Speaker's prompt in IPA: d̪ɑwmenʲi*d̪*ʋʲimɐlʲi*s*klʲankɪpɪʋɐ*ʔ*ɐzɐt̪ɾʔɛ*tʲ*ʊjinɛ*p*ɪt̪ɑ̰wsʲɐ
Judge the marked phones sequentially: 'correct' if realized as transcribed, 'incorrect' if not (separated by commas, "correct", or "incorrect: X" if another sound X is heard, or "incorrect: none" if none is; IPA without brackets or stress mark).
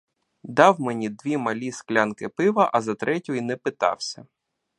correct, correct, correct, correct, correct